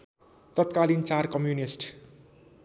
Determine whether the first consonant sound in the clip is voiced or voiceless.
voiceless